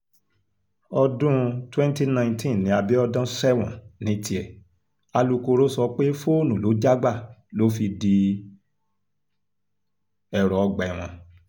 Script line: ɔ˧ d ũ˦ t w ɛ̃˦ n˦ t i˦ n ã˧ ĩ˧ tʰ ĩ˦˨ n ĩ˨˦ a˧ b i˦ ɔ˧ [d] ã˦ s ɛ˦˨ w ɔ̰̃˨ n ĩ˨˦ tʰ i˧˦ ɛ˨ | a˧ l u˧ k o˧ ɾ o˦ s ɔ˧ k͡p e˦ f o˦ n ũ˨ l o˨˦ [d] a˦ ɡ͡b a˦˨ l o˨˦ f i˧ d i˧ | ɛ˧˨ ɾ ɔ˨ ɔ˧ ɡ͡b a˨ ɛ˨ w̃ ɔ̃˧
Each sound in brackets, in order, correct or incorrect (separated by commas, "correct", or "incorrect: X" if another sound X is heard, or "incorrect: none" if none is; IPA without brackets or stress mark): correct, incorrect: d͡ʒ